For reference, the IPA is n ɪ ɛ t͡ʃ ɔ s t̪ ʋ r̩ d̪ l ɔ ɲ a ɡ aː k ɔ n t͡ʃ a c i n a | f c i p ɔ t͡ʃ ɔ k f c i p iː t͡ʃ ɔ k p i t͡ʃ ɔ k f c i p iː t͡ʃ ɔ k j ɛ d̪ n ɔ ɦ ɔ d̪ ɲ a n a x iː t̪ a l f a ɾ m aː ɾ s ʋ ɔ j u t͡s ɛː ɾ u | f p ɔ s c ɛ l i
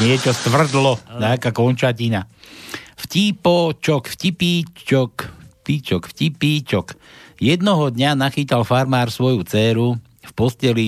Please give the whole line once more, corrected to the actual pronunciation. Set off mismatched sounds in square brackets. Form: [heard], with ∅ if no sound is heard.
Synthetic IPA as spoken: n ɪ ɛ t͡ʃ ɔ s t̪ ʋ r̩ d̪ l ɔ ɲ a [k] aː k ɔ n t͡ʃ a c i n a | f c i p ɔ t͡ʃ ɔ k f c i p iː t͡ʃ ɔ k p i t͡ʃ ɔ k f c i p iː t͡ʃ ɔ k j ɛ d̪ n ɔ ɦ ɔ d̪ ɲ a n a x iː t̪ a l f a ɾ m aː ɾ s ʋ ɔ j u t͡s ɛː ɾ u | f p ɔ s c ɛ l i